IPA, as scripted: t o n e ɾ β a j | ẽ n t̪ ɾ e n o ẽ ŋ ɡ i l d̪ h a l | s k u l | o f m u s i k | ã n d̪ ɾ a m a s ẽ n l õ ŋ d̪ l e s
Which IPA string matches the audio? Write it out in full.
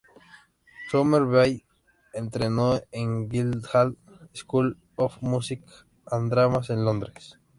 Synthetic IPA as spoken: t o m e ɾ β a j | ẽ n t̪ ɾ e n o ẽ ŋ ɡ i l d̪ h a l | s k u l | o f m u s i k | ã n d̪ ɾ a m a s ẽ n l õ n d̪ ɾ e s